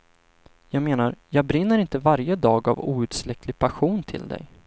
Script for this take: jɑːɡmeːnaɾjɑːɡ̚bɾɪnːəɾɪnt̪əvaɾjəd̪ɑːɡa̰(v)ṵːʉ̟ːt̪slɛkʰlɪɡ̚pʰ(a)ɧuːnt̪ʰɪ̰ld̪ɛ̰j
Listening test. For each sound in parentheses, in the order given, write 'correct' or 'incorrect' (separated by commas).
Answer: correct, correct